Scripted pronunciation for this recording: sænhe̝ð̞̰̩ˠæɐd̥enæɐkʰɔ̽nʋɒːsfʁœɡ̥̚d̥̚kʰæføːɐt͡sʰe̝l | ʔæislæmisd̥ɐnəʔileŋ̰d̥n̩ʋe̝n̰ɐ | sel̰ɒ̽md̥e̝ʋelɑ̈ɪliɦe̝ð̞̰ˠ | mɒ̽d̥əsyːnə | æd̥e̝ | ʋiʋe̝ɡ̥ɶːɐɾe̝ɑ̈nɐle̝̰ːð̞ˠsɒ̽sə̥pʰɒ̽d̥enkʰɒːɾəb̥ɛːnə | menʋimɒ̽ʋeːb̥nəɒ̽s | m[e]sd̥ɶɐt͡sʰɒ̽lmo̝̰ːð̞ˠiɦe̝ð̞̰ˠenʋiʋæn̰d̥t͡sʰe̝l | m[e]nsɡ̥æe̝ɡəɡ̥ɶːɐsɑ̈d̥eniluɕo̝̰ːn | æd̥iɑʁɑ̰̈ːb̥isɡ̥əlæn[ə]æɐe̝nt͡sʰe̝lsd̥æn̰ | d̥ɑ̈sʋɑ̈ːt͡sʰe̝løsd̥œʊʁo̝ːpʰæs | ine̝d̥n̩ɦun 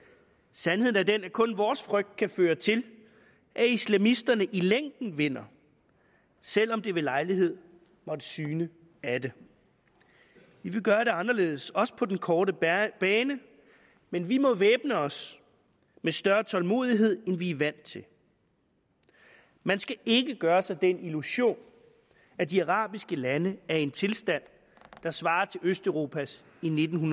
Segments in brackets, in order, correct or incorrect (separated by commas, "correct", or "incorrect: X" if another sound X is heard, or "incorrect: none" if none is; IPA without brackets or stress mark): correct, incorrect: æ, correct